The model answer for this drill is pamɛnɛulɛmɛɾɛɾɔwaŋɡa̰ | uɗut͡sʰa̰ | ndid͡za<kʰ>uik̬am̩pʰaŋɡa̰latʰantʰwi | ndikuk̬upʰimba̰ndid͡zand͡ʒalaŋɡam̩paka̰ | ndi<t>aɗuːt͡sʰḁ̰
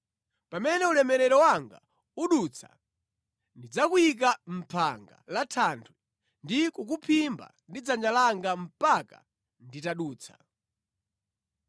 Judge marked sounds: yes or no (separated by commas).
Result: no, yes